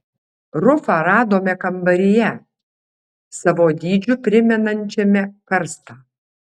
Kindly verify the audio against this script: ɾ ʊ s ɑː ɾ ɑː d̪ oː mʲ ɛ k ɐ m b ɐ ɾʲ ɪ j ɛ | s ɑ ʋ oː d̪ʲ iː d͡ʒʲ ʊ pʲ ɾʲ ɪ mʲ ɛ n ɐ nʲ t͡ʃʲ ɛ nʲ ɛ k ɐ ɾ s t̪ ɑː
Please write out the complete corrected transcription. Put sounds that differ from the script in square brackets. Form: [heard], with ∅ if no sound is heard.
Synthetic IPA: ɾ ʊ [f] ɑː ɾ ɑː d̪ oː mʲ ɛ k ɐ m b ɐ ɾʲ ɪ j ɛ | s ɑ ʋ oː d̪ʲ iː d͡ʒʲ ʊ pʲ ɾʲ ɪ mʲ ɛ n ɐ nʲ t͡ʃʲ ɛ [mʲ] ɛ k ɐ ɾ s t̪ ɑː